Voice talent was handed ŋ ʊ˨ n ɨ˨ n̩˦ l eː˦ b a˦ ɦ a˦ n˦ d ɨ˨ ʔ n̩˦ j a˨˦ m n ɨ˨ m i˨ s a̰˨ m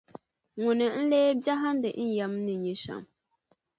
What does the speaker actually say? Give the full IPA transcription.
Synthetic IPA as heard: ŋ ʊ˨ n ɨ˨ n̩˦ l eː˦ b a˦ ɦ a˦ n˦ d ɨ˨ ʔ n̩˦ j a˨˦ m n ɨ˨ ɲ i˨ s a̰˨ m

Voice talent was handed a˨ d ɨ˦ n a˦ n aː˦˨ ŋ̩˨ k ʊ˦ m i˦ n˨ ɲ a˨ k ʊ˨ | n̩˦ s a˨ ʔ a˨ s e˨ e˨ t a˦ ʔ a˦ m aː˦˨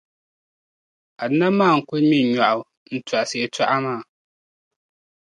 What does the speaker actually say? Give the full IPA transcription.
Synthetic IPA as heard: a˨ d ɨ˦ n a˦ m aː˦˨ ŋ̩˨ k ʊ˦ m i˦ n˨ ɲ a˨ ʔ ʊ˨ | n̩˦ t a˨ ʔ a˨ s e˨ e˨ t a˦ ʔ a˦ m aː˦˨

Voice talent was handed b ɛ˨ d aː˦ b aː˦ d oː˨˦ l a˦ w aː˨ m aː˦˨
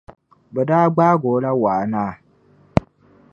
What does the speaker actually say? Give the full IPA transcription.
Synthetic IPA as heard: b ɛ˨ d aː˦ ɡ͡b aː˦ ɡ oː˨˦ l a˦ w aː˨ n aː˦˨

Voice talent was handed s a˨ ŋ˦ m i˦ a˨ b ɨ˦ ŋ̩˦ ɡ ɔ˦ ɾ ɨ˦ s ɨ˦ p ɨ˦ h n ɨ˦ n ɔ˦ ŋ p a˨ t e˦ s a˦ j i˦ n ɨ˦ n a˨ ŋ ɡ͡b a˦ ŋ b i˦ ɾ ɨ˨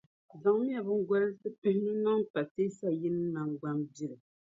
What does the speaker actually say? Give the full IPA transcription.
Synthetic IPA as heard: z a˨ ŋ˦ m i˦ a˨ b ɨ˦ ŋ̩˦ ɡ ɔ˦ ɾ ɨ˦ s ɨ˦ p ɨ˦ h n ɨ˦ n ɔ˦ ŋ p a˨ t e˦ s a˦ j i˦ n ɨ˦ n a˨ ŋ ɡ͡b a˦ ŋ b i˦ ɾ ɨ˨

